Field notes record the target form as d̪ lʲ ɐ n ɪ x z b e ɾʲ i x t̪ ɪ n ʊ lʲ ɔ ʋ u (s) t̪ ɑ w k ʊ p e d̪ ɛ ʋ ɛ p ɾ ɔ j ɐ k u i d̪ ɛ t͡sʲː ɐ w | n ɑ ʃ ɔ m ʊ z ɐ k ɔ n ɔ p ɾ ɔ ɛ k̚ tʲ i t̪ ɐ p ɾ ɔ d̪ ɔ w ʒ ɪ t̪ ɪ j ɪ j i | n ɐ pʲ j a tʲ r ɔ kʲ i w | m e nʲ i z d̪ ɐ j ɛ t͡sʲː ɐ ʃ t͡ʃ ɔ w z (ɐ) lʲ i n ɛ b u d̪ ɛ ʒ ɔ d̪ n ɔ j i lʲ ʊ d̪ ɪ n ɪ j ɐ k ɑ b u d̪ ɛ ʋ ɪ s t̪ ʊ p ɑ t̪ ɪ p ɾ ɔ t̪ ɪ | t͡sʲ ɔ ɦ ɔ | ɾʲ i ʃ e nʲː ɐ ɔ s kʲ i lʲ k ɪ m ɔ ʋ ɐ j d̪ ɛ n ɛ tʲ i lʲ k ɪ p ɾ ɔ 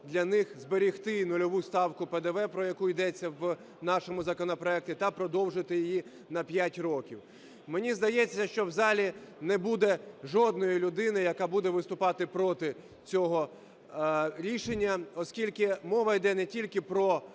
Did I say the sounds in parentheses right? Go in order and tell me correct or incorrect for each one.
correct, incorrect: ɑ

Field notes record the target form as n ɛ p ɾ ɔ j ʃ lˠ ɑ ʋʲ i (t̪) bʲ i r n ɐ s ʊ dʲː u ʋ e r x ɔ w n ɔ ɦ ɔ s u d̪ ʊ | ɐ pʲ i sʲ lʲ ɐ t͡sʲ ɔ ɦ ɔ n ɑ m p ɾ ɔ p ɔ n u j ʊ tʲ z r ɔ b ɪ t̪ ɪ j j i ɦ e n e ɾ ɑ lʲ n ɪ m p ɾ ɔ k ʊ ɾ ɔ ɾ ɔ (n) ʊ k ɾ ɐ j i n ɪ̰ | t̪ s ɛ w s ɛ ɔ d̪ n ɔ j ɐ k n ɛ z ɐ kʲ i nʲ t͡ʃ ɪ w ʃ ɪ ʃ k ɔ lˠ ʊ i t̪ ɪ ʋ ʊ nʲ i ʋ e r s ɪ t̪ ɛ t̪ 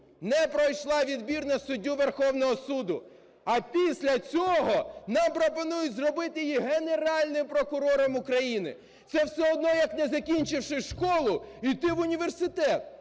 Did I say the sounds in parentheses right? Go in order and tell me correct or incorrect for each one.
incorrect: d̪, incorrect: m

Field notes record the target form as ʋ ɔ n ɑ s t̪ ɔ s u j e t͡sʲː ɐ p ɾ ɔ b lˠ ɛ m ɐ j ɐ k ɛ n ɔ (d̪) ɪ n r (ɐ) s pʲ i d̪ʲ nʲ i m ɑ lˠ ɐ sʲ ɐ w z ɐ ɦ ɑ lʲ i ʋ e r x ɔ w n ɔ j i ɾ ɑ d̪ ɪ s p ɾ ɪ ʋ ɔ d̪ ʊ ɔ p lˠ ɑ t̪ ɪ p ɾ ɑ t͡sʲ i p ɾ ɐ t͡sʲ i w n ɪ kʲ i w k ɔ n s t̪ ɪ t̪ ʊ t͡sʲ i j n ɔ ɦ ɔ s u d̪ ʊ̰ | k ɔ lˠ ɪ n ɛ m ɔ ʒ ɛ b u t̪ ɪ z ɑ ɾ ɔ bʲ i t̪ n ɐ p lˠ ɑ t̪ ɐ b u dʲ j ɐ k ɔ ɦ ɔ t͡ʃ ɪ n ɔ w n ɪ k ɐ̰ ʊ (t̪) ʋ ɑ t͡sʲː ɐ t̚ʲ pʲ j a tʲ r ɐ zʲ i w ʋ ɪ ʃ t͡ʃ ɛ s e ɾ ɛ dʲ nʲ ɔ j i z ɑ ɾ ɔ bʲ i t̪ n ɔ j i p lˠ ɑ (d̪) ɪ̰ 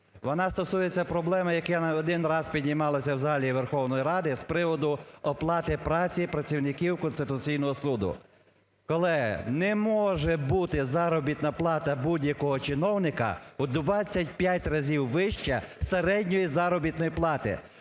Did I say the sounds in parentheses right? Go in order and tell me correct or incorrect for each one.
correct, incorrect: ɑ, incorrect: d̪, incorrect: t̪

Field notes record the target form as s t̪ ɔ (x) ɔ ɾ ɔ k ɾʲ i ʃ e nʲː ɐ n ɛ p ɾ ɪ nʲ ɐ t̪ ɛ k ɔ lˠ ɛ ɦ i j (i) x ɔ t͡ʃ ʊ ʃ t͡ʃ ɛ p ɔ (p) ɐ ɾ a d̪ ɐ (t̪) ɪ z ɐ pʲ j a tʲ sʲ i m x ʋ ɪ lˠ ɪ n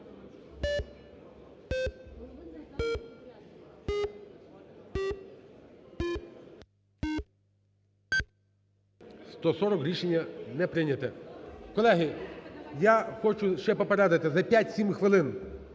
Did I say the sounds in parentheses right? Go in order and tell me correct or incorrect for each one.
incorrect: s, incorrect: a, correct, correct

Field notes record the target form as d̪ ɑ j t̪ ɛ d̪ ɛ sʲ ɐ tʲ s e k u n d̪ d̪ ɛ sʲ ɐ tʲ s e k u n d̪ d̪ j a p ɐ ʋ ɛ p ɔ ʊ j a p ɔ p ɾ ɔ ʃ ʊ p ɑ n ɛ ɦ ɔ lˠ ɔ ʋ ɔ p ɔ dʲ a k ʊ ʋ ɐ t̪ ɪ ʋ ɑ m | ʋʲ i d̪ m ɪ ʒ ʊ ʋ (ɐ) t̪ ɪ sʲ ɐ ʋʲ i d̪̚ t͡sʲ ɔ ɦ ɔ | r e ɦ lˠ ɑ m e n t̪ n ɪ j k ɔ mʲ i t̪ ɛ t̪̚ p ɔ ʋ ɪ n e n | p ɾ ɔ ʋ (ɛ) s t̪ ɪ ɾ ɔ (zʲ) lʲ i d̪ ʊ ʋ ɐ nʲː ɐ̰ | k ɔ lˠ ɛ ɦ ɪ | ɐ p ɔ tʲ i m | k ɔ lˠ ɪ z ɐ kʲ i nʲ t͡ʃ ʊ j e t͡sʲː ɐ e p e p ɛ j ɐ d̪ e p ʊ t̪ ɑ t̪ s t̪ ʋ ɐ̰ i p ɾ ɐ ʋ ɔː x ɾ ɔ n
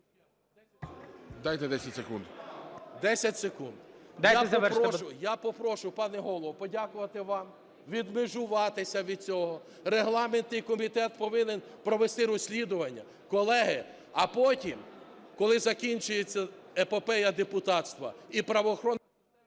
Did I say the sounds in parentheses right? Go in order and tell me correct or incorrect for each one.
incorrect: ɑ, incorrect: e, incorrect: sʲ

